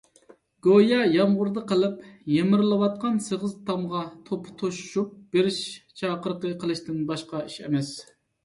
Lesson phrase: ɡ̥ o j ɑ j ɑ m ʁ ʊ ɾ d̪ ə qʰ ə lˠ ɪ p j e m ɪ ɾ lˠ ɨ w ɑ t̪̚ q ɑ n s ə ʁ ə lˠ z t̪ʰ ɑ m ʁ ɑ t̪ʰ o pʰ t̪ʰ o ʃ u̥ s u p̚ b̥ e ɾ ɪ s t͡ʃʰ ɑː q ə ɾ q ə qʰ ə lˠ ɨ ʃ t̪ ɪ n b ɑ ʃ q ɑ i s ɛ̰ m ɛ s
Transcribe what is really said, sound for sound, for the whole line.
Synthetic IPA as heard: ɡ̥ o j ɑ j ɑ m ʁ ʊ ɾ d̪ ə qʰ ə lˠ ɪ p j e m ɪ ɾ lˠ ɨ w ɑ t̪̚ q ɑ n s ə ʁ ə z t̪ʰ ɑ m ʁ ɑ t̪ʰ o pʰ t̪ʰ o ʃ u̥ ʃ u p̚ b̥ e ɾ ɪ ʃ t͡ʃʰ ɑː q ə ɾ q ə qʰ ə lˠ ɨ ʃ t̪ ɪ n b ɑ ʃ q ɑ i ʃ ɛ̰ m ɛ s